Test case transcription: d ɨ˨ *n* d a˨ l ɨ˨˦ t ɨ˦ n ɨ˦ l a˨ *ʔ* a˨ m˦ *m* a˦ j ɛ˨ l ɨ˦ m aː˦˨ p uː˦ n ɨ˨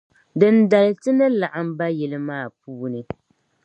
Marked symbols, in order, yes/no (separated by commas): yes, yes, no